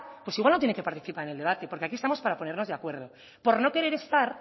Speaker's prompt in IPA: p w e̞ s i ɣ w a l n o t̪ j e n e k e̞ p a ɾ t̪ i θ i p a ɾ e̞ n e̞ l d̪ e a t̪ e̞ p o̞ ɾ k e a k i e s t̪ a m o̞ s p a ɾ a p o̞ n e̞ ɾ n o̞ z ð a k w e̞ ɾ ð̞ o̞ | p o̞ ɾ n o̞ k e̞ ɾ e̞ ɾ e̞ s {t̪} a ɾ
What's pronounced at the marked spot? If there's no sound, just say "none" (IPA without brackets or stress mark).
t̪